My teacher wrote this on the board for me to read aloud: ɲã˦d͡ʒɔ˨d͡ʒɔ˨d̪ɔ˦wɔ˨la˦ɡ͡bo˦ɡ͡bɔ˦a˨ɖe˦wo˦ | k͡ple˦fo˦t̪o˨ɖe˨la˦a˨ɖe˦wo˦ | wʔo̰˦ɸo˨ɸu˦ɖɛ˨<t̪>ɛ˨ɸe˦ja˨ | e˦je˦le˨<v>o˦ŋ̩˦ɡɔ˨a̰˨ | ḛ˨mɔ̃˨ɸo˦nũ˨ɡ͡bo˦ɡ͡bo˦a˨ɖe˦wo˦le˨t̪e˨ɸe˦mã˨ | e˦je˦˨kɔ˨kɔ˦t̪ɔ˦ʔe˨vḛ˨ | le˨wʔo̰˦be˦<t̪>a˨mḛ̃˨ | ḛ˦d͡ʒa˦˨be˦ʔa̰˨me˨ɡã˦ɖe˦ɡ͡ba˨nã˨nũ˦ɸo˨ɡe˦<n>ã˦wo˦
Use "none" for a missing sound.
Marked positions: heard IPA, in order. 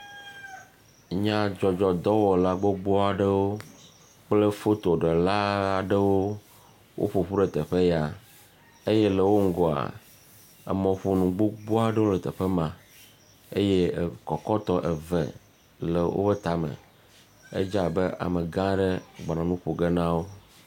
t̪, w, t̪, n

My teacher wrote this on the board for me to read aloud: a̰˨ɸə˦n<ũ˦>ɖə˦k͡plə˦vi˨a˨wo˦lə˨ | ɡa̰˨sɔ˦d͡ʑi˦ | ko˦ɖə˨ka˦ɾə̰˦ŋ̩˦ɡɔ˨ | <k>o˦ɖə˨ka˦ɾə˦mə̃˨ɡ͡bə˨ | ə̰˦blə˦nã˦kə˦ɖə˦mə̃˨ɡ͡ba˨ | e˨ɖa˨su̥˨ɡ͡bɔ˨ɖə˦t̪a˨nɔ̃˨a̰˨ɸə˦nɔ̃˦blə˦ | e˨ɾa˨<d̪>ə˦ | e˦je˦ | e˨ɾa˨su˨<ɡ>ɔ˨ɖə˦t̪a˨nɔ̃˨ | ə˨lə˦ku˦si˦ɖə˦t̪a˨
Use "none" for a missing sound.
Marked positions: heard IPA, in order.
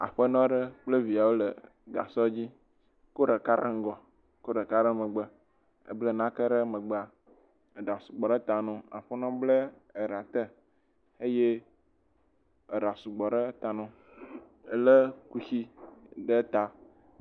ɔ̃˦, k, t̪, ɡ͡b

